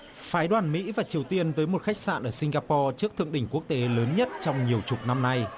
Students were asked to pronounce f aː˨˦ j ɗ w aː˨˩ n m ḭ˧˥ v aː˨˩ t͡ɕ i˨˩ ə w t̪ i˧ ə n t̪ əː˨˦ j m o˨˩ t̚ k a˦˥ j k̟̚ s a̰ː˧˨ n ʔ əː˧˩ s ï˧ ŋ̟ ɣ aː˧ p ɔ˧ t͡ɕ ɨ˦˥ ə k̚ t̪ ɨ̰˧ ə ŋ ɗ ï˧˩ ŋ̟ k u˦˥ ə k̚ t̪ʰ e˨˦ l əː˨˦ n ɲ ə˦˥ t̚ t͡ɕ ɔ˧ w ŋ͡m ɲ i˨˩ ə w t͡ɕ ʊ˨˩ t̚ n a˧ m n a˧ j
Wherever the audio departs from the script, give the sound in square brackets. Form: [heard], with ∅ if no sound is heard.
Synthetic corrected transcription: f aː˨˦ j ɗ w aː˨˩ n m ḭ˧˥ v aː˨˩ t͡ɕ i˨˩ ə w t̪ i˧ ə n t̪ əː˨˦ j m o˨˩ t̚ [x] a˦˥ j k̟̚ s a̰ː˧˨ n ʔ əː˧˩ s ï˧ ŋ̟ ɣ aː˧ p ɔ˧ t͡ɕ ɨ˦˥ ə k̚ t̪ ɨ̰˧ ə ŋ ɗ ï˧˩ ŋ̟ k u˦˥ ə k̚ [t̪] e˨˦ l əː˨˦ n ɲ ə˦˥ t̚ t͡ɕ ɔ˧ w ŋ͡m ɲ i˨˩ ə w t͡ɕ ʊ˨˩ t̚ n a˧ m n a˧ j